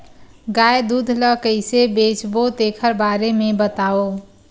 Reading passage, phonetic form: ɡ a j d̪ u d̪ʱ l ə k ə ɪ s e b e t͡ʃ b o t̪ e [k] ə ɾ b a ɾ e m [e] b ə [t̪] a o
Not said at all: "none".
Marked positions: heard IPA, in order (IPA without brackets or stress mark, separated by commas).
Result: kʰ, e, t̪